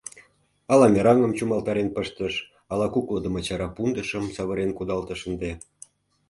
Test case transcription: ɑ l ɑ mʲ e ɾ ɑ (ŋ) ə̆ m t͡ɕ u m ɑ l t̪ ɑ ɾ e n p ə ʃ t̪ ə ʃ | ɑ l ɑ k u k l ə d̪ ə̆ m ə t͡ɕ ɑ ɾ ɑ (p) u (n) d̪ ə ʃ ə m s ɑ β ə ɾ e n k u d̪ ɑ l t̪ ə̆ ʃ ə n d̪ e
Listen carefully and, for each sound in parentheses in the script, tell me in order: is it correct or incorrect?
correct, correct, correct

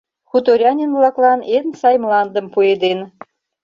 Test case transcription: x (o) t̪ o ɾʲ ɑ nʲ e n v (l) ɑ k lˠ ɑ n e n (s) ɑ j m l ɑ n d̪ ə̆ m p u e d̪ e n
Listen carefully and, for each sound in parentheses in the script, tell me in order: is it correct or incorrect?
incorrect, correct, correct

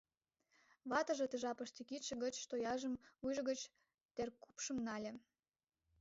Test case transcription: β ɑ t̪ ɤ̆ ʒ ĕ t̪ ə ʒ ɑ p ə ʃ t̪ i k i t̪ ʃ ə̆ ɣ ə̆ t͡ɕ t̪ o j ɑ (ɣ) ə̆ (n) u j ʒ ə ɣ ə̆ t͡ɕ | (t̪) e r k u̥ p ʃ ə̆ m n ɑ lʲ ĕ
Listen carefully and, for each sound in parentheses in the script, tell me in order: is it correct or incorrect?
incorrect, incorrect, correct

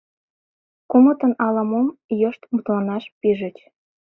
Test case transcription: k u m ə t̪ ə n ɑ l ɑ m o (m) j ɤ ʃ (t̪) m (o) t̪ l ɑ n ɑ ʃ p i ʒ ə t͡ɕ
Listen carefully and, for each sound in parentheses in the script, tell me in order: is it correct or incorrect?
correct, correct, incorrect

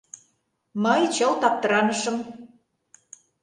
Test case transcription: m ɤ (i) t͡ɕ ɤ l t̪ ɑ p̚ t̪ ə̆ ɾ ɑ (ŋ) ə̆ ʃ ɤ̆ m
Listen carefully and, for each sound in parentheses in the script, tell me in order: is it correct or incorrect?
incorrect, incorrect

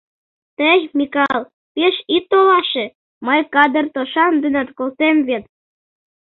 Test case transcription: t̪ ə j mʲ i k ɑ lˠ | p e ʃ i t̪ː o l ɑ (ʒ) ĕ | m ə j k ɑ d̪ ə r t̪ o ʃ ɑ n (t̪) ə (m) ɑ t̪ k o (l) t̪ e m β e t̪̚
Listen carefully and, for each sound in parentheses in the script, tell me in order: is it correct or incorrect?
incorrect, incorrect, incorrect, correct

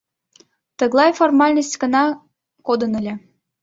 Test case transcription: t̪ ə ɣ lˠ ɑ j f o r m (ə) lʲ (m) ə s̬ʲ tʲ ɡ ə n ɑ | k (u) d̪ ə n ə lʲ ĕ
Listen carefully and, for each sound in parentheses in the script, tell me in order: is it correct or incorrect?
incorrect, incorrect, incorrect

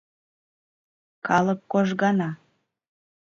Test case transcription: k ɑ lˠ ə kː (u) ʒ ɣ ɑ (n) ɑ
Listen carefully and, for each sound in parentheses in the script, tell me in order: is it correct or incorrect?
incorrect, correct

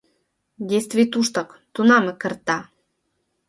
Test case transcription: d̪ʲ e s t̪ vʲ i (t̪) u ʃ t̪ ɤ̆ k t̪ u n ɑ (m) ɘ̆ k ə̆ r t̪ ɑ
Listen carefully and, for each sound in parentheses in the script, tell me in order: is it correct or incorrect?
correct, correct

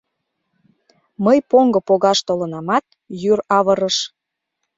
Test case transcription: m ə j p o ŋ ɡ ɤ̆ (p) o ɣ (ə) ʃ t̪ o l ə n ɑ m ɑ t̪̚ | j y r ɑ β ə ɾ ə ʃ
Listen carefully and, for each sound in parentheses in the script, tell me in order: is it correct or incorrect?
correct, incorrect

